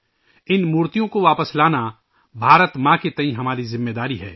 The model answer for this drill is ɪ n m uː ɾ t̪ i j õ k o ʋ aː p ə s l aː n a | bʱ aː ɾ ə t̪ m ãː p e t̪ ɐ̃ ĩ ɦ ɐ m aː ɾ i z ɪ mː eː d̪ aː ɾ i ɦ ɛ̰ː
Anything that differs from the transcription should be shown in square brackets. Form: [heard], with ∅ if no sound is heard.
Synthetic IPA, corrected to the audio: ɪ n m uː ɾ t̪ i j õ k o ʋ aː p ə s l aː n a | bʱ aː ɾ ə t̪ m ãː [k] e t̪ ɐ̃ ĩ ɦ ɐ m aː ɾ i z ɪ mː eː d̪ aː ɾ i ɦ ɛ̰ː